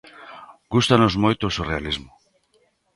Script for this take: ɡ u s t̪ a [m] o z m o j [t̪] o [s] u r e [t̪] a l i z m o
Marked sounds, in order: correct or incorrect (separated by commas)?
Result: incorrect, correct, correct, incorrect